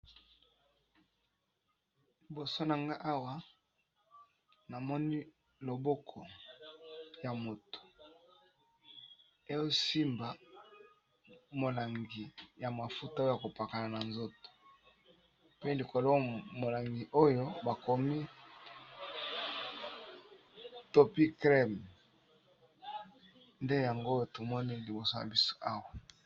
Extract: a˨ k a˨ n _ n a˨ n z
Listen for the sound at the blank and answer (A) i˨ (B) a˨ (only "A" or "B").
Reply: B